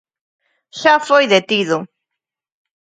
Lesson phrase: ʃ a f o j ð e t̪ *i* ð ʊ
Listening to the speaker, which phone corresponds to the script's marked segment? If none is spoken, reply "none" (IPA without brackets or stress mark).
i